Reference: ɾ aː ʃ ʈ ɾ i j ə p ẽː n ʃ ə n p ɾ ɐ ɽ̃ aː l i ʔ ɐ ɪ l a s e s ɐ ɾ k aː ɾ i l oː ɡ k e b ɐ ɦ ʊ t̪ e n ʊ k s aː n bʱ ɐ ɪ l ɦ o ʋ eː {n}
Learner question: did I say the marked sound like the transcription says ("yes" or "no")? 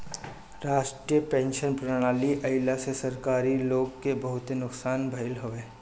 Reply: no